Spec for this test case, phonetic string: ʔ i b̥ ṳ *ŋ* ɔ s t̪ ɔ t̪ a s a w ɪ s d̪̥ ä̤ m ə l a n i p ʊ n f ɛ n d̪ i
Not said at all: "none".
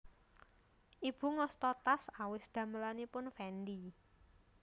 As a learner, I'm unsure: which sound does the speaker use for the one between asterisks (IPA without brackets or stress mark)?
ŋ